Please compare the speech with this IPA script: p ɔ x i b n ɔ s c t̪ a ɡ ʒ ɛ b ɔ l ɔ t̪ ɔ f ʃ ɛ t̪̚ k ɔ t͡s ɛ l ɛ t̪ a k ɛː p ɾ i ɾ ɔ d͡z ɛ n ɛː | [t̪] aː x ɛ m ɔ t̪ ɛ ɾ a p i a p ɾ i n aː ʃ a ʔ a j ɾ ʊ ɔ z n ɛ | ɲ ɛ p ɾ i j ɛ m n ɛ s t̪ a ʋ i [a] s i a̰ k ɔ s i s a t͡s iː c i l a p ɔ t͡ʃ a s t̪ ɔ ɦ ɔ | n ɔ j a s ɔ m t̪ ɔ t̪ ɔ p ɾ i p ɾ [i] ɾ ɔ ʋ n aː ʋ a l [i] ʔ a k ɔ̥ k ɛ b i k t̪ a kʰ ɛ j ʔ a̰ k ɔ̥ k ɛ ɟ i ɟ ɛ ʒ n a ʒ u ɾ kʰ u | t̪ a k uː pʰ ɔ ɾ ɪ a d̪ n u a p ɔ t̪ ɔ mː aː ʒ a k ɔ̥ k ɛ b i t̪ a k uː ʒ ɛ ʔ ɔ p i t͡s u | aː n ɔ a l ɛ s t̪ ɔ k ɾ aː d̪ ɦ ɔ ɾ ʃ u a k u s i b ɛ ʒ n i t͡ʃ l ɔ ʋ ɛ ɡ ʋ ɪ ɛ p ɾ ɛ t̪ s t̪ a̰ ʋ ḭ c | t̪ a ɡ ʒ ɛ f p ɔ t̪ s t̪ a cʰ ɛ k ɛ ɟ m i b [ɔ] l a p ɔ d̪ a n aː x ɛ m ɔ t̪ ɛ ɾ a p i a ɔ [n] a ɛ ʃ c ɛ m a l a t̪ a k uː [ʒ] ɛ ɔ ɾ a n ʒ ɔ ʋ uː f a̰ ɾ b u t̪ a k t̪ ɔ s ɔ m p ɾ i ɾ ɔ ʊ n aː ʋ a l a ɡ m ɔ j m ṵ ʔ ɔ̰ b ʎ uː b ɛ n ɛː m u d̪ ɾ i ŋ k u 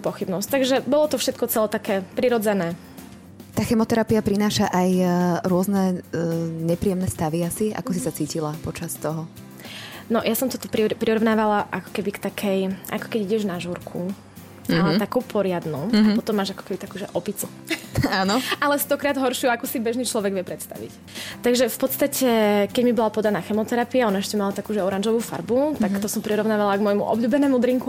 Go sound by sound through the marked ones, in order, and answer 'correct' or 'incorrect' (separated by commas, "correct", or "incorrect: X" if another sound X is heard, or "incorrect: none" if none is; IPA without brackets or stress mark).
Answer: correct, correct, correct, incorrect: a, correct, correct, correct